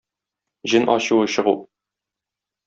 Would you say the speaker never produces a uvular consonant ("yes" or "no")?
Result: no